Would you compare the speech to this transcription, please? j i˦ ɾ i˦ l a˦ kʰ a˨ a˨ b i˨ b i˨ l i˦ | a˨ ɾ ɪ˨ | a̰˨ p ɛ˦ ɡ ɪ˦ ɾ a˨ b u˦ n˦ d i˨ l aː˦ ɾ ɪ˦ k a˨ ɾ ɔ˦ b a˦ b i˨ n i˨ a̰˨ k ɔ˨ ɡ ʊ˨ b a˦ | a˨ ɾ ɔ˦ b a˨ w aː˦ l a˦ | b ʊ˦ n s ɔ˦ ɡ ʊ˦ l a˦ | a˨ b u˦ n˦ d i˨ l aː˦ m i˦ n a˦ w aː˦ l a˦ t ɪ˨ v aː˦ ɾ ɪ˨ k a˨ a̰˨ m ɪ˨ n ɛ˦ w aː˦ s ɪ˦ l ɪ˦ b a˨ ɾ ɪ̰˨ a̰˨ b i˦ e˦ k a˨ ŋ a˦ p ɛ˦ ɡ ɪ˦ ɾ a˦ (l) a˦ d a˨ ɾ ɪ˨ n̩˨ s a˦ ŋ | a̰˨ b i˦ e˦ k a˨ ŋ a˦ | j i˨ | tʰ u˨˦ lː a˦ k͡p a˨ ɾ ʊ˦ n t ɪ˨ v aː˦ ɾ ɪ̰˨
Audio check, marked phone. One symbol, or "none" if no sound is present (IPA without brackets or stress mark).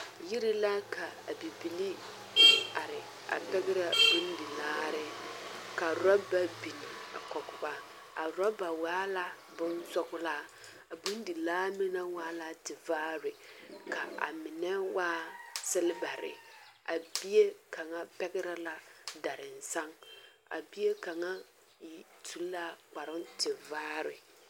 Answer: l